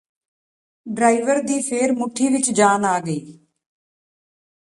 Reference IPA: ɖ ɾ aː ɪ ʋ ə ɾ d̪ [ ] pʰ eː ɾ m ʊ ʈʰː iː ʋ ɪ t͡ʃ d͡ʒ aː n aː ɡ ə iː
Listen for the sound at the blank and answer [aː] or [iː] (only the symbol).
iː